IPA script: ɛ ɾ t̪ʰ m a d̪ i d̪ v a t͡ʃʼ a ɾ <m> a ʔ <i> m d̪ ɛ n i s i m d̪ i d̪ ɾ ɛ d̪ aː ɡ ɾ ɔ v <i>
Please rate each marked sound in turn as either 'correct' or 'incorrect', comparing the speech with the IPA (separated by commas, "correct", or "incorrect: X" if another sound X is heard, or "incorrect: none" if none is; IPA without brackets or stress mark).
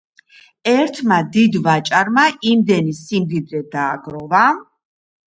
correct, correct, incorrect: a